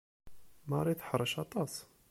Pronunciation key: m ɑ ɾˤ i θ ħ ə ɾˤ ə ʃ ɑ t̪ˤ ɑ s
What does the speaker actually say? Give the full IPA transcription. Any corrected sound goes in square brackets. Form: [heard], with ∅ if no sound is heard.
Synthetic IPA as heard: m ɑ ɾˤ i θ ħ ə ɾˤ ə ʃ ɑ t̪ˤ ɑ s